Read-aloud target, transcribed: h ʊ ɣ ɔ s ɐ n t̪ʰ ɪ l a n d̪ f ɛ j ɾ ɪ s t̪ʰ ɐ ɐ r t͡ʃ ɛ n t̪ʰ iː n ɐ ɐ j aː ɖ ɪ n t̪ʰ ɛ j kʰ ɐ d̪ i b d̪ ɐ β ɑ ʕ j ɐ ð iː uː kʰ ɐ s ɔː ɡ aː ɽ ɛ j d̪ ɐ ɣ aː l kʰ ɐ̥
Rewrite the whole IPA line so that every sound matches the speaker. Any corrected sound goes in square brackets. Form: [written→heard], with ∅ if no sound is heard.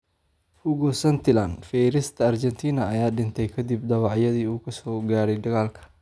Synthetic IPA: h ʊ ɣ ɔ s ɐ n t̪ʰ ɪ l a n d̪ f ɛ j ɾ ɪ s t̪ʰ ɐ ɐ r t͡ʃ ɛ n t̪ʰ iː n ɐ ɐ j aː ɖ ɪ n t̪ʰ ɛ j kʰ ɐ d̪ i b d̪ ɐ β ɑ ʕ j ɐ ð iː uː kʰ ɐ s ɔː ɡ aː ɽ ɛ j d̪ ɐ ɣ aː l kʰ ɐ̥